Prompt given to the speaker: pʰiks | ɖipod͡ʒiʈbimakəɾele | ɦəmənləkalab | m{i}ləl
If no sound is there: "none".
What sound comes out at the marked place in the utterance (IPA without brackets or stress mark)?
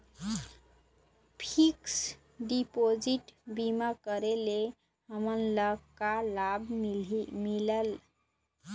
i